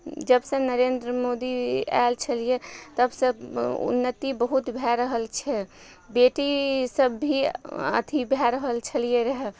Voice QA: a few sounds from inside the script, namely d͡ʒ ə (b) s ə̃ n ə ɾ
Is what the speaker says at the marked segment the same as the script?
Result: yes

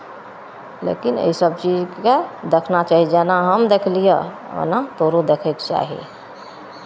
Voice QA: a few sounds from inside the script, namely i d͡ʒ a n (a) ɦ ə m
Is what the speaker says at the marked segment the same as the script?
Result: yes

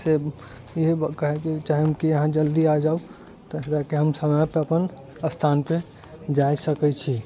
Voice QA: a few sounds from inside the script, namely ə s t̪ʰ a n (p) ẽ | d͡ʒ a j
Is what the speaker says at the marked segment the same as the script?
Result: yes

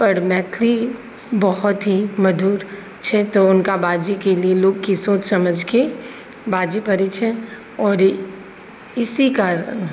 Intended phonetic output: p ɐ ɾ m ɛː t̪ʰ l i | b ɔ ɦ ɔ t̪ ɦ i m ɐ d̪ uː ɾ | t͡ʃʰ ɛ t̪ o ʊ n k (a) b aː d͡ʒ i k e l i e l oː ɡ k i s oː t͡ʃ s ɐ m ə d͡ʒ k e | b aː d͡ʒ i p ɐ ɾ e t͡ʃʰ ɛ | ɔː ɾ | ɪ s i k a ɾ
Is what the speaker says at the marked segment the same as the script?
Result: yes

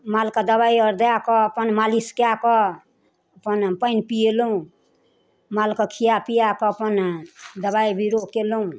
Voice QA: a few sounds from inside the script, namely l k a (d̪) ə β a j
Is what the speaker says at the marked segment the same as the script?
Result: yes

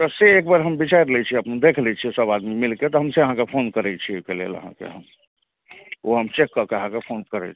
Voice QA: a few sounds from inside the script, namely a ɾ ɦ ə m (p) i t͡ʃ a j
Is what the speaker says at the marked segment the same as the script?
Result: no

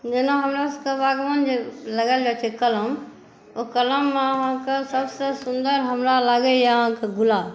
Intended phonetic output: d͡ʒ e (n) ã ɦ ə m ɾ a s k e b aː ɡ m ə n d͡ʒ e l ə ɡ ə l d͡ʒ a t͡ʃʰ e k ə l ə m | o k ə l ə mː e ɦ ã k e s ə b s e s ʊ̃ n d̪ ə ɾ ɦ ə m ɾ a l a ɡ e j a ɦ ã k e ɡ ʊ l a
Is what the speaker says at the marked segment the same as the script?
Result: yes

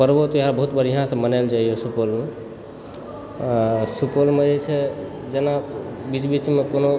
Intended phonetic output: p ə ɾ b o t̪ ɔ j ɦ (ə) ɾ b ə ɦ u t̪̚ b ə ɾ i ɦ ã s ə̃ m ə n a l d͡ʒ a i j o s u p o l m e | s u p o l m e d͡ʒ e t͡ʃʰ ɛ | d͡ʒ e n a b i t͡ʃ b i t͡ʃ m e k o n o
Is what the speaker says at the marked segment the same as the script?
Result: no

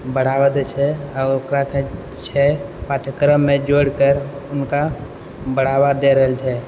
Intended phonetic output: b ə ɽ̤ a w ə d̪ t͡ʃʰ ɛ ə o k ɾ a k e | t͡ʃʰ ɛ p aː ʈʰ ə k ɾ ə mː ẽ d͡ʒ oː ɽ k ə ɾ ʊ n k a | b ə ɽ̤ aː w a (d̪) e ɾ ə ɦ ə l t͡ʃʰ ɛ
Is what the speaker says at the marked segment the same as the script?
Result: yes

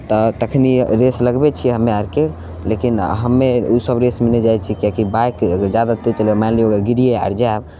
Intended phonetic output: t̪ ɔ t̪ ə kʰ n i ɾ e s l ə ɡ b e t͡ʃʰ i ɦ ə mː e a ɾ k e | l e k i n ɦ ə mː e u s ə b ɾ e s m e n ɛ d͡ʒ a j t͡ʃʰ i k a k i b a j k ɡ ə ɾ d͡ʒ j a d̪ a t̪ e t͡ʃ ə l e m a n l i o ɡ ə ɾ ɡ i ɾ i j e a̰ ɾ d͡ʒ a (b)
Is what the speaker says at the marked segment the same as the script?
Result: yes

